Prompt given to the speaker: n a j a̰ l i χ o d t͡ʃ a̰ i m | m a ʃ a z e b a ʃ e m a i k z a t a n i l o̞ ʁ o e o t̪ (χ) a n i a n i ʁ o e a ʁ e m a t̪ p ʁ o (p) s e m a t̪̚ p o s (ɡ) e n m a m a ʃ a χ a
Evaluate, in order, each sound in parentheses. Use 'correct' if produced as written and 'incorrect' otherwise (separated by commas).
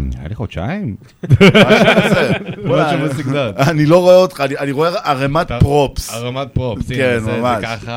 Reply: correct, correct, incorrect